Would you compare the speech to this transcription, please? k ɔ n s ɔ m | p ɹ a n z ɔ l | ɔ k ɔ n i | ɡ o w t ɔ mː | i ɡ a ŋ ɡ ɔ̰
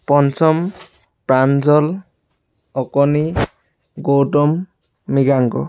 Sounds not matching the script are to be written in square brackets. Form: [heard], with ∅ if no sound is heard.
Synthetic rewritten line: [p] ɔ n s ɔ m | p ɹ a n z ɔ l | ɔ k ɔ n i | ɡ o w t ɔ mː | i ɡ a ŋ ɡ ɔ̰

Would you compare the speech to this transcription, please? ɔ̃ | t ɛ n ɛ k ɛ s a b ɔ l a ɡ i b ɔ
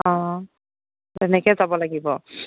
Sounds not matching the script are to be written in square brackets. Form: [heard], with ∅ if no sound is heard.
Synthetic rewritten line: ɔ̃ | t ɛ n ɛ k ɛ [z] a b ɔ l a ɡ i b ɔ

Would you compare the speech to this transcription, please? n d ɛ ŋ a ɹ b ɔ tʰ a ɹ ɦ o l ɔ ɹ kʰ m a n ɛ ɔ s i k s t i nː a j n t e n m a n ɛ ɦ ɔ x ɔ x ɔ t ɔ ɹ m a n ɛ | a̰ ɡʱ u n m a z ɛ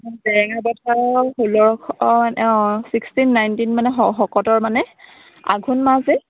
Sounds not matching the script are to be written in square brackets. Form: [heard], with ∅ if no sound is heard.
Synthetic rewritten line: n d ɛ ŋ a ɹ b ɔ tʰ a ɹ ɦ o l ɔ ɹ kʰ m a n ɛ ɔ s i k s t i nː a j n t [i] n m a n ɛ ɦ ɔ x ɔ [k] ɔ t ɔ ɹ m a n ɛ | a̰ ɡʱ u n m a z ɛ

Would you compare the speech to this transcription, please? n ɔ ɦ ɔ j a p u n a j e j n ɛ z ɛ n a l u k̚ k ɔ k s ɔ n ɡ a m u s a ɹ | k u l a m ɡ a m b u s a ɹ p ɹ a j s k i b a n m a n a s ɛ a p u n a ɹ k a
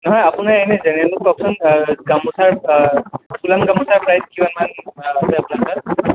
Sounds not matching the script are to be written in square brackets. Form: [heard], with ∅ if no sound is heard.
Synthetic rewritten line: n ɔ ɦ ɔ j a p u n a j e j n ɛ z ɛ n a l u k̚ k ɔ k s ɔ n ɡ a m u s a ɹ | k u l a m ɡ a m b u s a ɹ p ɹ a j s k i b a n m a n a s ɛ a p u n a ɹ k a

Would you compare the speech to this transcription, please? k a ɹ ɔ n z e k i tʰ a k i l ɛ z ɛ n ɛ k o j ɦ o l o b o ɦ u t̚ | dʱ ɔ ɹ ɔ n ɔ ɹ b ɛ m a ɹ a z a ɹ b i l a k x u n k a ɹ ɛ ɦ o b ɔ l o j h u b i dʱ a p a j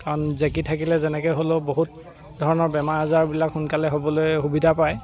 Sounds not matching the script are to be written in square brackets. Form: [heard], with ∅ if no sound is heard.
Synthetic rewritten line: k a ɹ ɔ n z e k i tʰ a k i l ɛ z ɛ n ɛ k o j ɦ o l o b o ɦ u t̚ | dʱ ɔ ɹ ɔ n ɔ ɹ b ɛ m a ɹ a z a ɹ b i l a k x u n k a [l] ɛ ɦ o b ɔ l o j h u b i dʱ a p a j

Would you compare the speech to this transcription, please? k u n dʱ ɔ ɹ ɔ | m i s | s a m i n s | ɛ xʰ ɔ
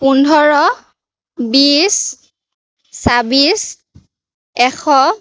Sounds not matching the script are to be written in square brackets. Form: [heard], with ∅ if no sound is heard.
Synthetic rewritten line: [p] u n dʱ ɔ ɹ ɔ | [b] i s | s a [b] i [∅] s | ɛ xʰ ɔ

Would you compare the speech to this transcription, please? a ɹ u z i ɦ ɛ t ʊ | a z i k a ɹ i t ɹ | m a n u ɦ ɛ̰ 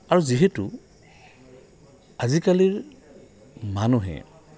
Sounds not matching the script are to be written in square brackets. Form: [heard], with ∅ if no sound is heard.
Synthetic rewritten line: a ɹ u z i ɦ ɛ t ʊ | a z i k a [l] i [∅] ɹ | m a n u ɦ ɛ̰

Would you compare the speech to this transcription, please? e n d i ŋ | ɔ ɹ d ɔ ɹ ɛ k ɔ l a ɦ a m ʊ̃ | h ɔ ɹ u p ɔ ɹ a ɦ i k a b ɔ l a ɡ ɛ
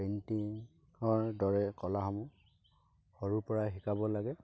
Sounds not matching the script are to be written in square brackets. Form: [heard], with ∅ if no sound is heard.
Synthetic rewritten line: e n [t] i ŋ | ɔ ɹ d ɔ ɹ ɛ k ɔ l a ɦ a m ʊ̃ | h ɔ ɹ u p ɔ ɹ a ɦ i k a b ɔ l a ɡ ɛ

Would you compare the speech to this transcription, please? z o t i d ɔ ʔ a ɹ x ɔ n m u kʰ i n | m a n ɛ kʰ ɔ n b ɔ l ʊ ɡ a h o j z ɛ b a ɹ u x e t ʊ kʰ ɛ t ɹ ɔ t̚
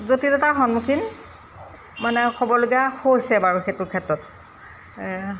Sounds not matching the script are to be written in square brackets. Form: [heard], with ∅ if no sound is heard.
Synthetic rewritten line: z o t i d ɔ [t] a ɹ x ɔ n m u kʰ i n | m a n ɛ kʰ ɔ [∅] b ɔ l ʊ ɡ a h o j [s] ɛ b a ɹ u x e t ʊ kʰ ɛ t ɹ ɔ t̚

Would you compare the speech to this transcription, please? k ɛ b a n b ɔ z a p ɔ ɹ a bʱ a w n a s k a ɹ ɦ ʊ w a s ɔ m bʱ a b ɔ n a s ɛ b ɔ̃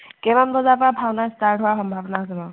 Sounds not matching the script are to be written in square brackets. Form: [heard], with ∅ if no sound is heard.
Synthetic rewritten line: k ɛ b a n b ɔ z a p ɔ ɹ a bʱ a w n a s [t] a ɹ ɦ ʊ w a [x] ɔ m bʱ a b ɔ n a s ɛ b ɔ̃

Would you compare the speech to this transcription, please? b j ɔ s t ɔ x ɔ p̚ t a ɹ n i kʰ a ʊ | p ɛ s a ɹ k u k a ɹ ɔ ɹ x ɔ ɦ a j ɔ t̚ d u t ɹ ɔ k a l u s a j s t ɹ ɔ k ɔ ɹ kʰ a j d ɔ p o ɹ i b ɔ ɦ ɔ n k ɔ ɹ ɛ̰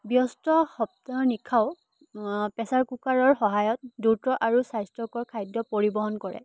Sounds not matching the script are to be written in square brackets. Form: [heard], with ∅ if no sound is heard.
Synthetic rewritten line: b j ɔ s t ɔ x ɔ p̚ t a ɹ n i kʰ a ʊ | p ɛ s a ɹ k u k a ɹ ɔ ɹ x ɔ ɦ a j ɔ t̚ d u t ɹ ɔ [ʔ] a [ɹ] u s a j s t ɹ ɔ k ɔ ɹ kʰ a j d ɔ p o ɹ i b ɔ ɦ ɔ n k ɔ ɹ ɛ̰

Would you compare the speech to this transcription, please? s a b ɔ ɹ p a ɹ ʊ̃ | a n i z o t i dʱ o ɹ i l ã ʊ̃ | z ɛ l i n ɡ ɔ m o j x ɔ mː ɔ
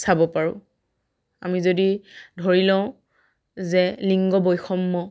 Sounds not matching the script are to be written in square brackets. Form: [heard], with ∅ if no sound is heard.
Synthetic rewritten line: s a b ɔ [∅] p a ɹ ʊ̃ | a [m] i z o [d] i dʱ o ɹ i l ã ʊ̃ | z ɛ l i [ŋ] ɡ ɔ [b] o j x ɔ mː ɔ

